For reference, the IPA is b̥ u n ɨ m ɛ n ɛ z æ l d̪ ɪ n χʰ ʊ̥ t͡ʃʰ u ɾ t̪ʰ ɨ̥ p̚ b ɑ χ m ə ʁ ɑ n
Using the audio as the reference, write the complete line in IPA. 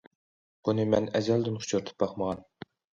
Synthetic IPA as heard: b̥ u n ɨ m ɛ n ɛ z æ l d̪ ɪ n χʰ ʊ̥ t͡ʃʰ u ɾ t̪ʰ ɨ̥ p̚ b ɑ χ m ə ʁ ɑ n